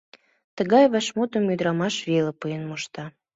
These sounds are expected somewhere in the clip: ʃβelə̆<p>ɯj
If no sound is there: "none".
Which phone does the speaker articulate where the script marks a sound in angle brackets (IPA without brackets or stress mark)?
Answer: p